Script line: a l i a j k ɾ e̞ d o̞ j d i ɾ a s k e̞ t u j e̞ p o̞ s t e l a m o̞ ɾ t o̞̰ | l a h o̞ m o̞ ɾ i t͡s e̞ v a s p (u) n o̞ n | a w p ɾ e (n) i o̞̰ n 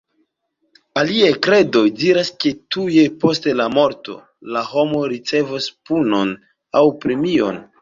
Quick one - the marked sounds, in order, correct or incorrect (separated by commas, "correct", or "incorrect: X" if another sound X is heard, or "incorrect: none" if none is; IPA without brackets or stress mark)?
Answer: correct, incorrect: m